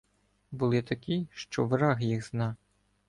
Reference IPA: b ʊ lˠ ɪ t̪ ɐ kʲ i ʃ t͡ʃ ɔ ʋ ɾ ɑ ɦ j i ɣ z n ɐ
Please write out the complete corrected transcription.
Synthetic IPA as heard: b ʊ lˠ ɪ t̪ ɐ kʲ i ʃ t͡ʃ ɔ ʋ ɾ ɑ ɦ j i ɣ z n ɑ

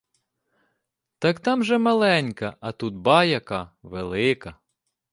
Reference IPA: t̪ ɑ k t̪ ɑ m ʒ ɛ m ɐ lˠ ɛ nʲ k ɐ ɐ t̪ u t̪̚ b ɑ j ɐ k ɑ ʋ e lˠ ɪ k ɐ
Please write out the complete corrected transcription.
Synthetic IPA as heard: t̪ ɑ k t̪ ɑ m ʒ ɛ m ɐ lˠ ɛ nʲ k ɐ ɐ t̪ u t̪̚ b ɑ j ɐ k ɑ ʋ e lˠ ɪ k ɐ

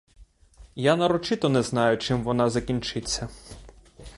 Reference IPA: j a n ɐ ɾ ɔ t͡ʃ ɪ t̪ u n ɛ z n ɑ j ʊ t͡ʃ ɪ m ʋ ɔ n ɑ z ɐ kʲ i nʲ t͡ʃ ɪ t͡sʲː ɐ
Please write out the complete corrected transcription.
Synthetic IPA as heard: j a n ɐ ɾ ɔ t͡ʃ ɪ t̪ ɔ n ɛ z n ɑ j ʊ t͡ʃ ɪ m ʋ ɔ n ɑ z ɐ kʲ i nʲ t͡ʃ ɪ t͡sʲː ɐ

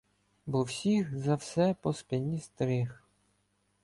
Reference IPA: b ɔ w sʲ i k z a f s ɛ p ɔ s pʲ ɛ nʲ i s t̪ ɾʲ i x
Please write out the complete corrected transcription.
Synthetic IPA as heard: b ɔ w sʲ i x z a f s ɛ p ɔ s pʲ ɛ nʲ i s t̪ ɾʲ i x

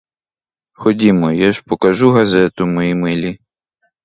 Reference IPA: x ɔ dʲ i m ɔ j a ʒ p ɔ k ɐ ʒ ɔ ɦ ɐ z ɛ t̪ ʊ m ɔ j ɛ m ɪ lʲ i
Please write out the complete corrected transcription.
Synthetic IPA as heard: x ɔ dʲ i m ɔ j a ʒ p ɔ k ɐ ʒ u ɦ ɐ z ɛ t̪ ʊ m ɔ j i m ɪ lʲ i

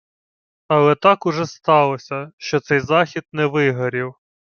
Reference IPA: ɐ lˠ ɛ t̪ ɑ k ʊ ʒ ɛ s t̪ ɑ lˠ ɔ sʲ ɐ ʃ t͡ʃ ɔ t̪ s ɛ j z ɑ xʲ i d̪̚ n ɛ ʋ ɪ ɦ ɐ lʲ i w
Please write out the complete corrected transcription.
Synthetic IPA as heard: ɐ lˠ ɛ t̪ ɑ k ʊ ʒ ɛ s t̪ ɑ lˠ ɔ sʲ ɐ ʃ t͡ʃ ɔ t̪ s ɛ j z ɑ xʲ i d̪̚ n ɛ ʋ ɪ ɦ ɐ ɾʲ i w

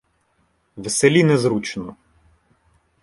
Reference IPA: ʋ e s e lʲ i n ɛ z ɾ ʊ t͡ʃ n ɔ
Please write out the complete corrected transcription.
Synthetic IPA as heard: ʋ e s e lʲ i n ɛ z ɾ u t͡ʃ n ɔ

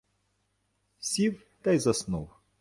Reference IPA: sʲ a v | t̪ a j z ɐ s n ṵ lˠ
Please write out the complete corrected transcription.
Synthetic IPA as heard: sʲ i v | t̪ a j z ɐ s n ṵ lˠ

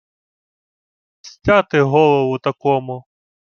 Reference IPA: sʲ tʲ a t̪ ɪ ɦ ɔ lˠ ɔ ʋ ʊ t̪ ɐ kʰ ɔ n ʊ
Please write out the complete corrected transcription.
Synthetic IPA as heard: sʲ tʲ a t̪ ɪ ɦ ɔ lˠ ɔ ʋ ʊ t̪ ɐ k ɔ m ʊ

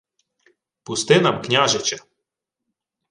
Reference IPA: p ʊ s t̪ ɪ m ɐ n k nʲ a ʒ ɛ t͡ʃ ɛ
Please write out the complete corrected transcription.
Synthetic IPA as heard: p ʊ s t̪ ɪ n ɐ m k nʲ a ʒ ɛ t͡ʃ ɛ

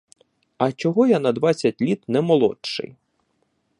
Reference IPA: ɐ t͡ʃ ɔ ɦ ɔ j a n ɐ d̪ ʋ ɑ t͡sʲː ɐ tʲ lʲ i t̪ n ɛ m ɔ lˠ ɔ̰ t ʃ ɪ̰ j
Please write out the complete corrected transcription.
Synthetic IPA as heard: ɐ t͡ʃ ɔ ɦ ɔ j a n ɐ d̪ ʋ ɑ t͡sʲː ɐ tʲ lʲ i t̪ n ɛ m ɔ lˠ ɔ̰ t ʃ ɪ̰ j

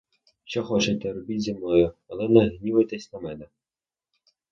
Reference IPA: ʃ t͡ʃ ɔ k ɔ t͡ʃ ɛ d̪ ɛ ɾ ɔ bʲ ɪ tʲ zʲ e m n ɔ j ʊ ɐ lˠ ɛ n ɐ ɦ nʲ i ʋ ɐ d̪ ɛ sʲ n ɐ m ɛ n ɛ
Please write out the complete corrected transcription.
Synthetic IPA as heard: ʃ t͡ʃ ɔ x ɔ t͡ʃ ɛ t̪ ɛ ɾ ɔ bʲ i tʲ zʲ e m n ɔ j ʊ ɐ lˠ ɛ n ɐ ɦ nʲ i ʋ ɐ t̪ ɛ sʲ n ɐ m ɛ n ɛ

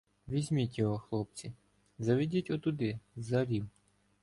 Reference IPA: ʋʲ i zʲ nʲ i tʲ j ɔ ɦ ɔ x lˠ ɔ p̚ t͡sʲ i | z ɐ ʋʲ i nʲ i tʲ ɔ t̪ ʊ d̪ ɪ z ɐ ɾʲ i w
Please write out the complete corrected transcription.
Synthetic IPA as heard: ʋʲ i zʲ mʲ i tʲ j ɔ ɦ ɔ x lˠ ɔ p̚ t͡sʲ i | z ɐ ʋʲ i dʲ i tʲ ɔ t̪ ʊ d̪ ɪ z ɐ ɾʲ i w

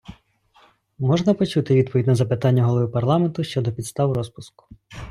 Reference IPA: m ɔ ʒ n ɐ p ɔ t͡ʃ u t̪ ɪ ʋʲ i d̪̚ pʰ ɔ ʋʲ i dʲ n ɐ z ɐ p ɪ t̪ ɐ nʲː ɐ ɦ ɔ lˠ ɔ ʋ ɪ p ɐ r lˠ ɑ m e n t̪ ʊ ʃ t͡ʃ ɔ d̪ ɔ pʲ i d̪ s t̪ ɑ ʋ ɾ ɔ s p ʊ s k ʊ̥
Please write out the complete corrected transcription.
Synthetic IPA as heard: m ɔ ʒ n ɐ p ɔ t͡ʃ u t̪ ɪ ʋʲ i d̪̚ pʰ ɔ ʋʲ i dʲ n ɐ z ɐ p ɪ t̪ ɑ nʲː ɐ ɦ ɔ lˠ ɔ ʋ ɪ p ɐ r lˠ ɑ m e n t̪ ʊ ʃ t͡ʃ ɔ d̪ ɔ pʲ i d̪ s t̪ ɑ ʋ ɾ ɔ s p ʊ s k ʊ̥

